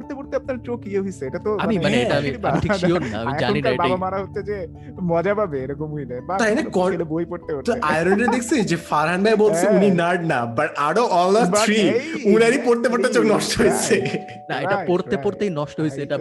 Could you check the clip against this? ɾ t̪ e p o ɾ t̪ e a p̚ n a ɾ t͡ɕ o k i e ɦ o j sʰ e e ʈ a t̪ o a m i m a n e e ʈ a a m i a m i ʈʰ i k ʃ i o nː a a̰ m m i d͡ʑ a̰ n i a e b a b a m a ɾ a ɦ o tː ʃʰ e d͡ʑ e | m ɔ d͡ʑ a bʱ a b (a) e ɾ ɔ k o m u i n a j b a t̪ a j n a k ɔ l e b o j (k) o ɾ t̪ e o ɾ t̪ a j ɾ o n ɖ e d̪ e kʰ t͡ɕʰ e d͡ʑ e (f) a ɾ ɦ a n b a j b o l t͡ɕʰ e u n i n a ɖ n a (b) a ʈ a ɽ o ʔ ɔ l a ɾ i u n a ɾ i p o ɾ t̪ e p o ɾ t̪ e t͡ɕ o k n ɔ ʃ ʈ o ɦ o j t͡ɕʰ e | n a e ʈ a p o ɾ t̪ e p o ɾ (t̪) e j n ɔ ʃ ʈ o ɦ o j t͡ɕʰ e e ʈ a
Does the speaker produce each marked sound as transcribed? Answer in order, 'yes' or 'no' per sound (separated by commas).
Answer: no, no, yes, yes, yes